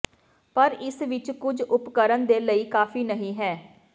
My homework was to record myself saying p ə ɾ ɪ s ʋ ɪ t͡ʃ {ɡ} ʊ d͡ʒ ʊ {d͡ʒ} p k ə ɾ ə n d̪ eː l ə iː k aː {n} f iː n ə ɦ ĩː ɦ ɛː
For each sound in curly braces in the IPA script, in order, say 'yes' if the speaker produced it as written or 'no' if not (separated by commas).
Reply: no, no, no